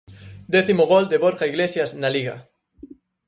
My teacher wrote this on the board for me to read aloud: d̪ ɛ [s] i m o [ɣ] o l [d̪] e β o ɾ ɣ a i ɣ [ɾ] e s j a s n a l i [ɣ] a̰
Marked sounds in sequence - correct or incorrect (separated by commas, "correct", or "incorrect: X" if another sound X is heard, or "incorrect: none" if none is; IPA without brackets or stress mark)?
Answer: incorrect: θ, correct, correct, incorrect: l, correct